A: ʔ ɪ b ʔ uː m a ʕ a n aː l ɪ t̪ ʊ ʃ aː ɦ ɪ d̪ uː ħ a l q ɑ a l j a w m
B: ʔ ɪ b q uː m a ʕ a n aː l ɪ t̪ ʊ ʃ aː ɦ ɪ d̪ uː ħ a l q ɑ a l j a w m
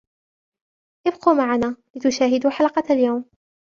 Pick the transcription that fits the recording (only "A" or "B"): B